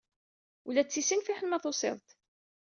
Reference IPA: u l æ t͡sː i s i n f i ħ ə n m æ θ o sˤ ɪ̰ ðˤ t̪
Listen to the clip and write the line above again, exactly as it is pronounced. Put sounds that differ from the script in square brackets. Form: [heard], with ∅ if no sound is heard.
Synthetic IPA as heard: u l æ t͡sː i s i n f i ħ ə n m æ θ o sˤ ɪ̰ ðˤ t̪